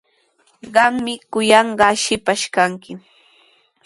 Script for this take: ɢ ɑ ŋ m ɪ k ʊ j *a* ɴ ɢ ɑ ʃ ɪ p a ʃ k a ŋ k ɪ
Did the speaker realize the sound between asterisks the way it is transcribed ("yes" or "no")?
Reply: no